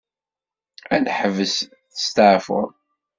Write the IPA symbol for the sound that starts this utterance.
æ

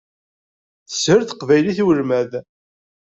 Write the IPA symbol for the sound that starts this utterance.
θ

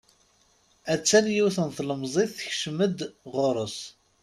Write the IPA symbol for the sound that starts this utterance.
æ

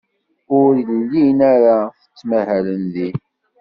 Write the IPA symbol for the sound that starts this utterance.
ʊ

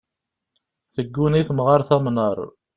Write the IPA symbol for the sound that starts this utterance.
θ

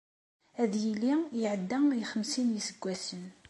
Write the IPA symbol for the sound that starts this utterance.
æ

